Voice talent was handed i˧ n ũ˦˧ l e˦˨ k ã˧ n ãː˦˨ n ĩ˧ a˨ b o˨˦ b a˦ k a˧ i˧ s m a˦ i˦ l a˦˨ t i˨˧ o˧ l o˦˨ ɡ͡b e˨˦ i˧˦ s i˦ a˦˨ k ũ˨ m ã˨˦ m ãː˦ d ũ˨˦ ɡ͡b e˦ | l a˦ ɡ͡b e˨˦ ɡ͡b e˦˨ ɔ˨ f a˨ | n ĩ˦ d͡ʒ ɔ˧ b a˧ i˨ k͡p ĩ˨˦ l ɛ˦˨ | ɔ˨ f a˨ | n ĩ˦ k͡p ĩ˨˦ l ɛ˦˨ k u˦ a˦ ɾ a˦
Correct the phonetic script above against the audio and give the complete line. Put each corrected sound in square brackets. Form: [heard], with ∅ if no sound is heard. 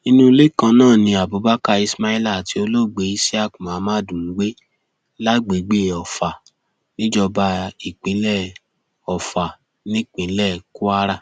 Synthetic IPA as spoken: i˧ n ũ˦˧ l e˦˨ k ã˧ n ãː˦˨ n ĩ˧ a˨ b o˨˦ b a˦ k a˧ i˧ s m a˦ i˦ l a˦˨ t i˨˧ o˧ l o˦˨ ɡ͡b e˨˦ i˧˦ s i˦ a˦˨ k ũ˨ m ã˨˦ m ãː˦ d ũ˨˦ ɡ͡b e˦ | l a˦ ɡ͡b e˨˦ ɡ͡b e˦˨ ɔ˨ f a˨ | n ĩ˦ d͡ʒ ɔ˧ b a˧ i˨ k͡p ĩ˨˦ l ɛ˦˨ | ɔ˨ f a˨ | n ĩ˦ k͡p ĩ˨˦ l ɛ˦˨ k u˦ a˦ ɾ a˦